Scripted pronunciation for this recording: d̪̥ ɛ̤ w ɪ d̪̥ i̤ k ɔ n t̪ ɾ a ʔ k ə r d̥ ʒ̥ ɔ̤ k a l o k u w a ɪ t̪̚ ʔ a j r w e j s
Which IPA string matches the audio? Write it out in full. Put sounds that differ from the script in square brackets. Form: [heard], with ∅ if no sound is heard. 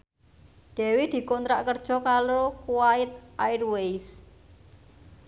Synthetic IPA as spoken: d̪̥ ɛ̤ w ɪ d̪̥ i̤ k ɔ n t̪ ɾ a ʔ k ə r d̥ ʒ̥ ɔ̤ k a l o k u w a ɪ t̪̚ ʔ a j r w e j s